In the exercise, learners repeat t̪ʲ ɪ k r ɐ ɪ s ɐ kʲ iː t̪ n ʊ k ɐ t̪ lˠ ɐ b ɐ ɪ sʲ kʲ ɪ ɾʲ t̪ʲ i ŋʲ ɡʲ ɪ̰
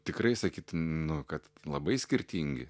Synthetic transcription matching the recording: t̪ʲ ɪ k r ɐ ɪ s ɐ kʲ iː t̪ n ʊ k ɐ t̪ lˠ ɐ b ɐ ɪ sʲ kʲ ɪ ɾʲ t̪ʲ i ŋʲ ɡʲ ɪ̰